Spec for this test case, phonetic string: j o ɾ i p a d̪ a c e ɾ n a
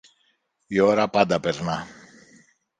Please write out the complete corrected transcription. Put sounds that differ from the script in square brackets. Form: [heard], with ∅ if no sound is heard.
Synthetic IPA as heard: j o ɾ [a] p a d̪ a [p] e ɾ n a